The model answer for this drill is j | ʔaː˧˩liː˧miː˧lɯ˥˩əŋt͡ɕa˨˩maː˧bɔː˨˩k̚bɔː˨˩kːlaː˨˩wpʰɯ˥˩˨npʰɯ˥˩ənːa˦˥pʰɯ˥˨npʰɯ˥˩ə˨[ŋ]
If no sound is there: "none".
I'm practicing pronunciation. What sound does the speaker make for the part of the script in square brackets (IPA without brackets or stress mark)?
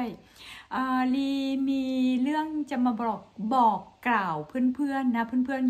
n